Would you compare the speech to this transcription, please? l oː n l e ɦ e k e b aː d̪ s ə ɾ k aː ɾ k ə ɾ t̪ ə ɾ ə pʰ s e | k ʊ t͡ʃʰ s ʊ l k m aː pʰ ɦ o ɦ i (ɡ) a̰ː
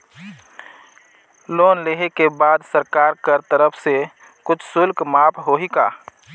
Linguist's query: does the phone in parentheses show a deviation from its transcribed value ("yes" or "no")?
yes